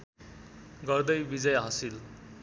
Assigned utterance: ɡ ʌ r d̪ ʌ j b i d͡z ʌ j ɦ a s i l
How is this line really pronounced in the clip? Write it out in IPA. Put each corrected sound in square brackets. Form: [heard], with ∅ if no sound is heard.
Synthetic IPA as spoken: ɡ ʌ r d̪ ʌ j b i d͡z ʌ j ɦ [ʌ] s i l